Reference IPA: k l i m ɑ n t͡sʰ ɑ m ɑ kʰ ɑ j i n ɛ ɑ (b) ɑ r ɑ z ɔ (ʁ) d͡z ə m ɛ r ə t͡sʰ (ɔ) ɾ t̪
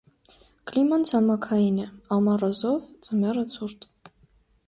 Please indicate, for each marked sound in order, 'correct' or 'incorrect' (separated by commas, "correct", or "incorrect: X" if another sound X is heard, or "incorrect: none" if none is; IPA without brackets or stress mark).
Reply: incorrect: m, incorrect: v, incorrect: u